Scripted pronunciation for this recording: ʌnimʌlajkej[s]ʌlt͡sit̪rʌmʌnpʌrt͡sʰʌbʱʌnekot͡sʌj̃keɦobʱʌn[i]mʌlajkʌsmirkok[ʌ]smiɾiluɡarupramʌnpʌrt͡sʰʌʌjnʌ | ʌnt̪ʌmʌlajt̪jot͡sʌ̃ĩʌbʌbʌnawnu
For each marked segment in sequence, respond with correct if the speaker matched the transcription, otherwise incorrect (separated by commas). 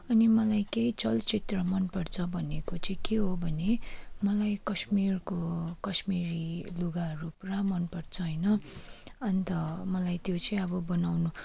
incorrect, incorrect, correct